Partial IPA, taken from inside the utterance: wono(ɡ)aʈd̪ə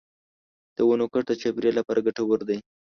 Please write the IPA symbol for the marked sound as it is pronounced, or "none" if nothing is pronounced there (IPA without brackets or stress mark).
k